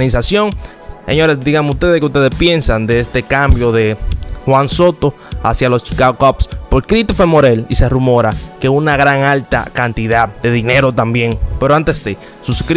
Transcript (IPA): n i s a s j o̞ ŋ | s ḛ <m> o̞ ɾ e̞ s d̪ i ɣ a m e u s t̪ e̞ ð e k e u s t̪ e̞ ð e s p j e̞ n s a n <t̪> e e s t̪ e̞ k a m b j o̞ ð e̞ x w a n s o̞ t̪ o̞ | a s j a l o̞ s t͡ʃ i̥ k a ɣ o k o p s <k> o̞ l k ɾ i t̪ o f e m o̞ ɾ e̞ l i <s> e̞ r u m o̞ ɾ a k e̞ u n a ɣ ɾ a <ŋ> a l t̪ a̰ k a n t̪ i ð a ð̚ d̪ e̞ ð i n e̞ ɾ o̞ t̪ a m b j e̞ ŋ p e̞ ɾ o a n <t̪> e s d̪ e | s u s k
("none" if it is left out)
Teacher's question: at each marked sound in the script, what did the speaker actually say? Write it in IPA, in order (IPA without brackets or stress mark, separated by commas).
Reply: ɲ, d̪, p, s, ŋ, t̪